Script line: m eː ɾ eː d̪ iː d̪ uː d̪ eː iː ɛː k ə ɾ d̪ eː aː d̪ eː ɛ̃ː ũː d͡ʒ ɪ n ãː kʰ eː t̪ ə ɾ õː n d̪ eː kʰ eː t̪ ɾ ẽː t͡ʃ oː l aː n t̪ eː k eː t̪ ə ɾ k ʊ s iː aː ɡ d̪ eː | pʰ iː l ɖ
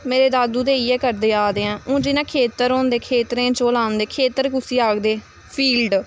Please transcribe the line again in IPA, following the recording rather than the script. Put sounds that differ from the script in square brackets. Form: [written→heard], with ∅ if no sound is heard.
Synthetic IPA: m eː ɾ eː d̪ [iː→aː] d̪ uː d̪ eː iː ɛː k ə ɾ d̪ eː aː d̪ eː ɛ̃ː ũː d͡ʒ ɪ n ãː kʰ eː t̪ ə ɾ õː n d̪ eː kʰ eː t̪ ɾ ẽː t͡ʃ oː l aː n [t̪→d̪] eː [k→kʰ] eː t̪ ə ɾ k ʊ s iː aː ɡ d̪ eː | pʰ iː l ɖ